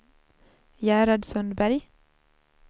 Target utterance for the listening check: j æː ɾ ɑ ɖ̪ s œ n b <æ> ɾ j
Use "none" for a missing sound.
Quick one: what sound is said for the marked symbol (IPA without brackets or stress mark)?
æ